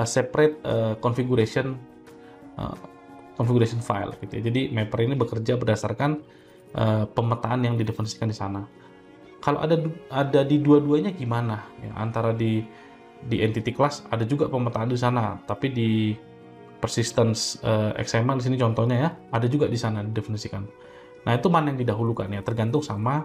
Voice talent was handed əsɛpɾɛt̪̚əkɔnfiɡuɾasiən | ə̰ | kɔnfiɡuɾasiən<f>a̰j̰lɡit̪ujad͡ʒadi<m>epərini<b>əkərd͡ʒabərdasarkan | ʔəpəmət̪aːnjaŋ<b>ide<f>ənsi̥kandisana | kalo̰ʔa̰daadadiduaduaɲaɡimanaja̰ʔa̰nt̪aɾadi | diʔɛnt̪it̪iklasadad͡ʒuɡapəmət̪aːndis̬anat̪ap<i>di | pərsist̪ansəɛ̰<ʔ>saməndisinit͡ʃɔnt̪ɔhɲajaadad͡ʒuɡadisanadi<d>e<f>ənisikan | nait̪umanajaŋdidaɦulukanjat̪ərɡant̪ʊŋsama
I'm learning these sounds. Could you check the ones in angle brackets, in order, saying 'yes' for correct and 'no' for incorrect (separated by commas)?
yes, yes, yes, no, yes, yes, no, yes, yes